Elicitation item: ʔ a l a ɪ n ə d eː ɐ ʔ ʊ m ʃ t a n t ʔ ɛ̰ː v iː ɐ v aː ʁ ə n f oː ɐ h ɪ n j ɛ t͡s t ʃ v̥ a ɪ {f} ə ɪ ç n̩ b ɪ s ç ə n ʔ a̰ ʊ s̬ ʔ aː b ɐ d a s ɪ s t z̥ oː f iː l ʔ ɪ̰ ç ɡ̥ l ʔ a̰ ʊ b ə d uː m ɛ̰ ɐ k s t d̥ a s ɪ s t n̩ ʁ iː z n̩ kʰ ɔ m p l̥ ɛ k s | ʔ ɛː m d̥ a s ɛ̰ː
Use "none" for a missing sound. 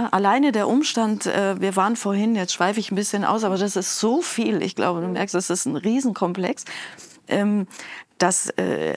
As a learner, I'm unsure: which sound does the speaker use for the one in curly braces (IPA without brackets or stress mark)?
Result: f